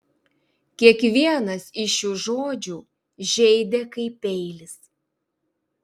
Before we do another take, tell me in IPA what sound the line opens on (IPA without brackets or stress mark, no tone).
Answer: kʲ